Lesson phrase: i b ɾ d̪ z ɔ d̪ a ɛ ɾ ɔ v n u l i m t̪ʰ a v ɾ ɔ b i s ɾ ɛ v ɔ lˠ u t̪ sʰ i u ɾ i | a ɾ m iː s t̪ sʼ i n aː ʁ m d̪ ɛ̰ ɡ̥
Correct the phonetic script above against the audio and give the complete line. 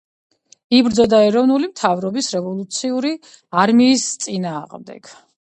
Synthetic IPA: i b ɾ d̪ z ɔ d̪ a ɛ ɾ ɔ v n u l i m t̪ʰ a v ɾ ɔ b i s ɾ ɛ v ɔ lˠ u t̪ sʰ i u ɾ i | a ɾ m iː s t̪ sʼ i n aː ʁ m d̪ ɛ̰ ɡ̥